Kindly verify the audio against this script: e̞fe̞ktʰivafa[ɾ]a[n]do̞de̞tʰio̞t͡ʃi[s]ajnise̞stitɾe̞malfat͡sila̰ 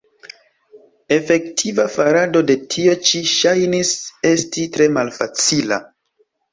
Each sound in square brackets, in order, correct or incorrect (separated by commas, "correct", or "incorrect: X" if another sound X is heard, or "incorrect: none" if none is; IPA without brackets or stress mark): correct, incorrect: none, incorrect: ʃ